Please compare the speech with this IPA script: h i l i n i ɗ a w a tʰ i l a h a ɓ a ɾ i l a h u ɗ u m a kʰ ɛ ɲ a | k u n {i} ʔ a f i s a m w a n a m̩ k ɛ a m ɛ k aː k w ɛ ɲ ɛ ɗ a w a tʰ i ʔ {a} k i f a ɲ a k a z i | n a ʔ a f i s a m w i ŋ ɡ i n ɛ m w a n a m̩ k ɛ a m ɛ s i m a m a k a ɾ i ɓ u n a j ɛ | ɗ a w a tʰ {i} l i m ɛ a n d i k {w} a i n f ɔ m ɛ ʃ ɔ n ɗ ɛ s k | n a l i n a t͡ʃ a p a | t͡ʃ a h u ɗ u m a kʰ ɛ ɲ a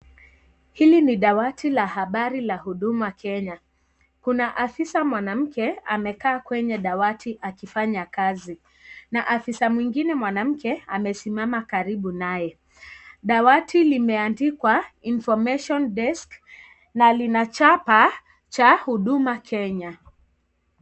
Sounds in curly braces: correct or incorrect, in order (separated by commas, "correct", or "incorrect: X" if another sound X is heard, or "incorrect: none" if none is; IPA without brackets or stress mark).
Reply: incorrect: a, correct, correct, correct